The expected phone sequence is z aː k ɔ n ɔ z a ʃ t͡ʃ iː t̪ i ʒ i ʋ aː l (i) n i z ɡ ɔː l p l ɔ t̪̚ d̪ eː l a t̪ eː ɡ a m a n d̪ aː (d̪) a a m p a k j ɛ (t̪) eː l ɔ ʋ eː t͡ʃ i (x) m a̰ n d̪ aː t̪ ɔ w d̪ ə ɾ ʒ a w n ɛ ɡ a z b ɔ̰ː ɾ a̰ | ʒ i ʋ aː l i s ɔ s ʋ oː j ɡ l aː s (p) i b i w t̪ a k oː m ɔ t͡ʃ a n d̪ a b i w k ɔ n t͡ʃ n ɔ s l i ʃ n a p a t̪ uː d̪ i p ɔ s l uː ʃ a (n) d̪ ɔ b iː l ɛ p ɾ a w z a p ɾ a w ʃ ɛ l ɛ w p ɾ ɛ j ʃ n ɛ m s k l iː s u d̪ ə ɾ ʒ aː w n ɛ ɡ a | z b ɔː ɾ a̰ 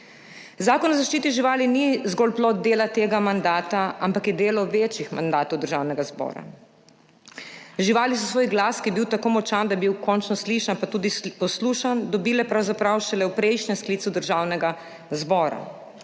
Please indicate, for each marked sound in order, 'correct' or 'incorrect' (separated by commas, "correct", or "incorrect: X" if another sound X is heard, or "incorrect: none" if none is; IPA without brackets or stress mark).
correct, incorrect: t̪, incorrect: d̪, correct, incorrect: k, correct